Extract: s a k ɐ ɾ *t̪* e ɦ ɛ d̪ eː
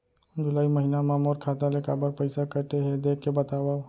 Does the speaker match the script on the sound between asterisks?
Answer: yes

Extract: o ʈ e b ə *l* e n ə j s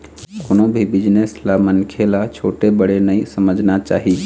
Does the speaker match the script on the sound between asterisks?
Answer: no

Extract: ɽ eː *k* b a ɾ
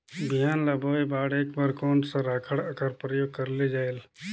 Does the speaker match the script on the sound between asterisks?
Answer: yes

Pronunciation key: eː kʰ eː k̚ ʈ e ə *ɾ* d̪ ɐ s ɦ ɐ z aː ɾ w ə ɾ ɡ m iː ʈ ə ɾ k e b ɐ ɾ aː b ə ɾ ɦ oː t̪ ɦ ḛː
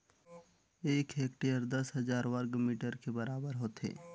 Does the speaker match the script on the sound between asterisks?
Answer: yes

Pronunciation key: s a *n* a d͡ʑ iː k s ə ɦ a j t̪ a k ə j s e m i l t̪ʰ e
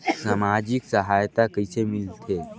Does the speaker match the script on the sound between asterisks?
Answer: no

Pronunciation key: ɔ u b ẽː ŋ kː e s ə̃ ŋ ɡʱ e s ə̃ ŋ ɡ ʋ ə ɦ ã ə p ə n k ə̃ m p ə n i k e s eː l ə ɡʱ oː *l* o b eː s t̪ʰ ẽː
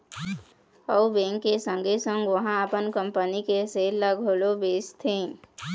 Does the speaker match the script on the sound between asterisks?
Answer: yes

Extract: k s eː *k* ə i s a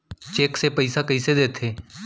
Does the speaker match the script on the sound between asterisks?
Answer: no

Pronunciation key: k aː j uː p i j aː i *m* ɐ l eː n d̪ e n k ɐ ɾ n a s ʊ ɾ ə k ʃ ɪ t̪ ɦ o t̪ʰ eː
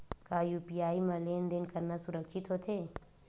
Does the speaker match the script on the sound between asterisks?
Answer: yes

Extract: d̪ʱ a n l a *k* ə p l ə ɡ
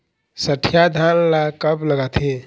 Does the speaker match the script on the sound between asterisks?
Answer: yes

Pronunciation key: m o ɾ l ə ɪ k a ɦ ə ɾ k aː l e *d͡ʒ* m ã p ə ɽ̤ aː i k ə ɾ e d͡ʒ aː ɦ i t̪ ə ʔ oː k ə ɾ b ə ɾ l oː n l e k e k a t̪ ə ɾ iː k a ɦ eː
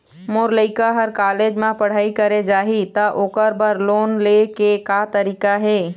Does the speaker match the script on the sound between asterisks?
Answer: yes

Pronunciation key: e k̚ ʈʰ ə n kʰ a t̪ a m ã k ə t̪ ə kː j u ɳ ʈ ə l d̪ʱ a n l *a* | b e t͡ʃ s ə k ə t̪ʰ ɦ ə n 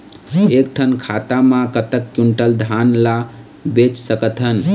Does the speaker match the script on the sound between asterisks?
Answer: yes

